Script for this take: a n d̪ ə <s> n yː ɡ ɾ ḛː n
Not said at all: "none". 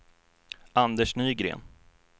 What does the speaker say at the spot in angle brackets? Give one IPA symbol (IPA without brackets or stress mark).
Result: ʂ